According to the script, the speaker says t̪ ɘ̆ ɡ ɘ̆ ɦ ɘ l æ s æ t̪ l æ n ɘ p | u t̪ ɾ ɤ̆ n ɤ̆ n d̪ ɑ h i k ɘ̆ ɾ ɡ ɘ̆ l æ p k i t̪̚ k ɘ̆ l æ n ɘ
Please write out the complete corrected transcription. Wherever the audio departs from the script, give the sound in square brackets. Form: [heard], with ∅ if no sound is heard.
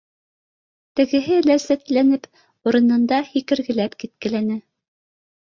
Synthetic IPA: t̪ ɘ̆ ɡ ɘ̆ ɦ ɘ l æ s æ t̪ l æ n ɘ p | u [∅] ɾ ɤ̆ n ɤ̆ n d̪ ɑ h i k ɘ̆ ɾ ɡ ɘ̆ l æ p k i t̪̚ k ɘ̆ l æ n ɘ